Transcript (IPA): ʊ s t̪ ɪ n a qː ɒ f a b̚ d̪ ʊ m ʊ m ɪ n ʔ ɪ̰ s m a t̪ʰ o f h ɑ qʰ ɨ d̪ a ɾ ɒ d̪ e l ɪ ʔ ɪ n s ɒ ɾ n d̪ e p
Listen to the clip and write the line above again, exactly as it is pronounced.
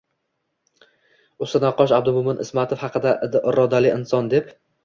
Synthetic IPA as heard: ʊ s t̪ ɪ n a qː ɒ ʃ a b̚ d̪ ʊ m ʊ m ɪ n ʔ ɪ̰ s m a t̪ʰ o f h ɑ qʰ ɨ d̪ a ɾ ɒ d̪ a l ɪ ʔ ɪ n s ɒ n d̪ e p